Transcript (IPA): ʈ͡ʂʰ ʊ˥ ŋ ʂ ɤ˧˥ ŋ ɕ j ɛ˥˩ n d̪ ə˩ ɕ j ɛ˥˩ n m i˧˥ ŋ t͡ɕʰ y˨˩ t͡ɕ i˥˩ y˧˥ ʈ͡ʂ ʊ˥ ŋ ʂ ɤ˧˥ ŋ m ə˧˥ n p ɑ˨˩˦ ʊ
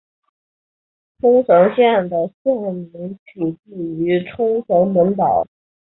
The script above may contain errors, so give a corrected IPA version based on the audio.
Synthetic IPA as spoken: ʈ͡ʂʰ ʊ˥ ŋ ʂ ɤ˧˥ ŋ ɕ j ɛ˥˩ n d̪ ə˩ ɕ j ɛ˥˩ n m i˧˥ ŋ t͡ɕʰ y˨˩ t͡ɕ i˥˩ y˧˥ ʈ͡ʂʰ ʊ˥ ŋ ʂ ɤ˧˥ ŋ m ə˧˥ n p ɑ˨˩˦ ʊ